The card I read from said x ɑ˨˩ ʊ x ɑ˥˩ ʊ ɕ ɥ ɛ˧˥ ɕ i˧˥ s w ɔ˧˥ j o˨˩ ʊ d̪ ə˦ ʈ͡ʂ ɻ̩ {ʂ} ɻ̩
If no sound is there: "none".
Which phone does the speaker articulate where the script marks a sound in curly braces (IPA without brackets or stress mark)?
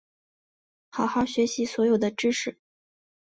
ʂ